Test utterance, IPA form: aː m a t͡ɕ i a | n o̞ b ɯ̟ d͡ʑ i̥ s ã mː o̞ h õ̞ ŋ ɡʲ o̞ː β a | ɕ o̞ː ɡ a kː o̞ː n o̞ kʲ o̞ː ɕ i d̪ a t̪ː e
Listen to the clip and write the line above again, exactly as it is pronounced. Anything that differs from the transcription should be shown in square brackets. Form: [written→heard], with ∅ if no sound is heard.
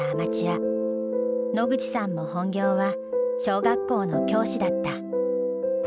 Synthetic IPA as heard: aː m a t͡ɕ i a | n o̞ [b→ɡ] ɯ̟ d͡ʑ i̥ s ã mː o̞ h õ̞ ŋ ɡʲ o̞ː β a | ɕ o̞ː ɡ a kː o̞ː n o̞ kʲ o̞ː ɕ i d̪ a t̪ː [e→a]

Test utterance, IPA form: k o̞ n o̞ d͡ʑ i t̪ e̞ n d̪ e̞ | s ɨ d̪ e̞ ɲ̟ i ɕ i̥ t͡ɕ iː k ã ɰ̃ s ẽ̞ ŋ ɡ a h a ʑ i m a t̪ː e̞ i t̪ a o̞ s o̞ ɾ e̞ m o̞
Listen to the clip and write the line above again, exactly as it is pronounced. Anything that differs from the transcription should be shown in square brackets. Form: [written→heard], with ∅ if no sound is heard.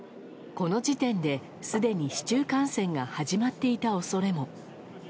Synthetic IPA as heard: k o̞ n o̞ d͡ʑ i t̪ [e̞→ẽ̞] n d̪ e̞ | s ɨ d̪ e̞ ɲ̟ i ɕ i̥ t͡ɕ [iː→ɨː] k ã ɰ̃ s ẽ̞ ŋ ɡ a h a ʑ i m a t̪ː e̞ i t̪ a o̞ s o̞ ɾ e̞ m o̞

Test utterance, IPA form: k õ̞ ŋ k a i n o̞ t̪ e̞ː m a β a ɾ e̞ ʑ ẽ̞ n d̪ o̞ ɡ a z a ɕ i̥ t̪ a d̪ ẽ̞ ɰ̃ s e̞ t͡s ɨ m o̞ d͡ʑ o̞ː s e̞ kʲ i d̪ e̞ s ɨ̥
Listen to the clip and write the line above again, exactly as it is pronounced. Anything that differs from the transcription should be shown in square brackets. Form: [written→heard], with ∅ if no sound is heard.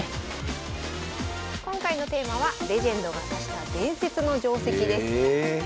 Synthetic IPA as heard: k õ̞ ŋ k a i n o̞ t̪ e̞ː m a β a ɾ e̞ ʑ ẽ̞ n d̪ o̞ ɡ a [z→s] a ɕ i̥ t̪ a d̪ ẽ̞ ɰ̃ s e̞ t͡s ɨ [m→n] o̞ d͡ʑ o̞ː s e̞ kʲ i d̪ e̞ s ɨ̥

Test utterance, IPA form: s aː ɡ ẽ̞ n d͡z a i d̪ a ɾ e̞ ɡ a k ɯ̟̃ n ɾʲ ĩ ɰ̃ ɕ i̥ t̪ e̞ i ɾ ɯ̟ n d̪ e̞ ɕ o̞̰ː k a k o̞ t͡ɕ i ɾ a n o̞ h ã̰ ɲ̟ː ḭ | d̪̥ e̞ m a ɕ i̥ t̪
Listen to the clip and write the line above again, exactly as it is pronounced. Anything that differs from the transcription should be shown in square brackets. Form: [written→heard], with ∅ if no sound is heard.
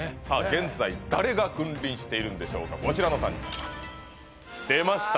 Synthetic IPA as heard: s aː ɡ ẽ̞ n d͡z a i d̪ a ɾ e̞ ɡ a k ɯ̟̃ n ɾʲ ĩ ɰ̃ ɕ i̥ t̪ e̞ i ɾ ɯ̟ n d̪ e̞ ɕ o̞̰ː k a k o̞ t͡ɕ i ɾ a n o̞ [h→s] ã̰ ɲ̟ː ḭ | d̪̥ e̞ m a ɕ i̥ t̪

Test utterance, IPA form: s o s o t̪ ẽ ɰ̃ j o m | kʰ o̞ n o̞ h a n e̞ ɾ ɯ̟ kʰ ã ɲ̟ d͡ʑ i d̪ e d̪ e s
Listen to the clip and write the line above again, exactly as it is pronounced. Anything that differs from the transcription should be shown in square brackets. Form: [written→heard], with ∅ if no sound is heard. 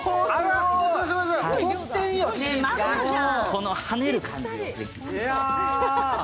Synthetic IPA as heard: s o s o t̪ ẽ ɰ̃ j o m | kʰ o̞ n o̞ h a n e̞ ɾ ɯ̟ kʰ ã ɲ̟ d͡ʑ i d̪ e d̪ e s

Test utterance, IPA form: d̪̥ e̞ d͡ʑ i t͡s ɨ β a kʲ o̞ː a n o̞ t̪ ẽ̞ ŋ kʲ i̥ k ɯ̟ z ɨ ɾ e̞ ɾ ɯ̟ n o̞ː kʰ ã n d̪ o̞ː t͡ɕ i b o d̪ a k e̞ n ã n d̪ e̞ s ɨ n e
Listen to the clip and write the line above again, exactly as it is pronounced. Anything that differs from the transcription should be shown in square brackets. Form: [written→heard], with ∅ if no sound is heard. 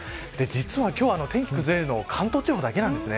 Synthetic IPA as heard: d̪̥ e̞ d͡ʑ i t͡s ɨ β a kʲ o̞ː a n o̞ t̪ ẽ̞ ŋ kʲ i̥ k ɯ̟ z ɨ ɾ e̞ ɾ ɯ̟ n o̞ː kʰ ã n [d̪→t̪] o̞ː t͡ɕ i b o d̪ a k e̞ n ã n d̪ e̞ s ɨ n e

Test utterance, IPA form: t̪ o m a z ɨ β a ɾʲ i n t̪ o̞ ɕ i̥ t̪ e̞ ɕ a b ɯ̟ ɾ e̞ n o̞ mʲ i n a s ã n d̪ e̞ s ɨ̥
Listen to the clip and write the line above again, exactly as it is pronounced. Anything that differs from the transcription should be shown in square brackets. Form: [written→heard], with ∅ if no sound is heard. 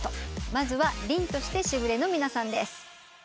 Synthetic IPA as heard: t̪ o m a z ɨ β a ɾʲ [i→ĩ] n t̪ o̞ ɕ i̥ t̪ e̞ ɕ [a→i] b ɯ̟ ɾ e̞ n o̞ mʲ i n a s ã n d̪ e̞ s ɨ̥

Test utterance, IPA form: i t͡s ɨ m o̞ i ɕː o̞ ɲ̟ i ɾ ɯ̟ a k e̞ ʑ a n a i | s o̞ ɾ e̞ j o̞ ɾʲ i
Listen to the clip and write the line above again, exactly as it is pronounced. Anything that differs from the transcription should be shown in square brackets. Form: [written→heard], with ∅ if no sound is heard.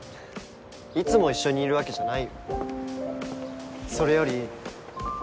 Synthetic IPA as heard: i t͡s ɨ m o̞ i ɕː o̞ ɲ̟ [i→iː] ɾ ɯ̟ a k e̞ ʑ a n a i | s o̞ ɾ e̞ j o̞ ɾʲ i

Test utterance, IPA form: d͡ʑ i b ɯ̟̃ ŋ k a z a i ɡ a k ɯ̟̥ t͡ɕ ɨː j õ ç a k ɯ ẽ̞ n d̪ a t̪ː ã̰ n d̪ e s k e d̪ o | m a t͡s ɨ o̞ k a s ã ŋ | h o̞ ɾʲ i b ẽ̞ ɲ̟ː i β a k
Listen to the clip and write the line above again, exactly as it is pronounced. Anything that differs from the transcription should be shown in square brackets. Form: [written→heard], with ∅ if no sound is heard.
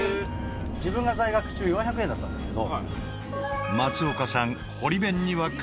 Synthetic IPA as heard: d͡ʑ i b ɯ̟̃ ŋ [k→ɡ] a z a i ɡ a k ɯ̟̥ t͡ɕ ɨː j õ ç a k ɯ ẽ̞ n d̪ a t̪ː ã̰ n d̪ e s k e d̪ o | m a t͡s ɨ o̞ k a s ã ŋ | h o̞ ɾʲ i b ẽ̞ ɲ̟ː i β a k

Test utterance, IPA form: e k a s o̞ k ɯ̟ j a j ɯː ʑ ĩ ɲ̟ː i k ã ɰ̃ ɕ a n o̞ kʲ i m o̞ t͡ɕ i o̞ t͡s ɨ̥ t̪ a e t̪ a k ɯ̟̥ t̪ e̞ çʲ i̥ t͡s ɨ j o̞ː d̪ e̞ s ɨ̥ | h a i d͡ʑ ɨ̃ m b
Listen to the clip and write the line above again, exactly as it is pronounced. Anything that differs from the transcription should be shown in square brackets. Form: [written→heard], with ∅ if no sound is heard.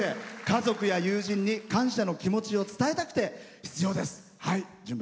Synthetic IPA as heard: e k a [s→z] o̞ k ɯ̟ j a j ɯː ʑ ĩ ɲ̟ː i k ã ɰ̃ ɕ a n o̞ kʲ i m o̞ t͡ɕ i o̞ t͡s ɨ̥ t̪ a e t̪ a k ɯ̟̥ t̪ e̞ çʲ i̥ t͡s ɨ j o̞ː d̪ e̞ s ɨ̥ | h a i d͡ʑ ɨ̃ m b

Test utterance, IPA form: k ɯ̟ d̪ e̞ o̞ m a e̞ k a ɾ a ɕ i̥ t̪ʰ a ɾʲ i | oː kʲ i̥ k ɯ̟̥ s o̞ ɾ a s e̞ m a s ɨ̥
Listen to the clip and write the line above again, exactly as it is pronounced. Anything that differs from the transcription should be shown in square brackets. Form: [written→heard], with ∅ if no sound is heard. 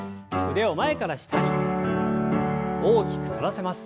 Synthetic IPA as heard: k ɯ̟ d̪ e̞ o̞ m a e̞ k a ɾ a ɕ i̥ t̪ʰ a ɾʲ i | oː kʲ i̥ k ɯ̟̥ s o̞ ɾ a s e̞ m a s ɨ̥

